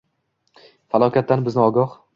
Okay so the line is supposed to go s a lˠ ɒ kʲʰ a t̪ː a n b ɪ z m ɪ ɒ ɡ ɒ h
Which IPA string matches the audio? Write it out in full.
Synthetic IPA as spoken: f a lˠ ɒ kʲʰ a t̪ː a n b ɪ z n ɪ ɒ ɡ ɒ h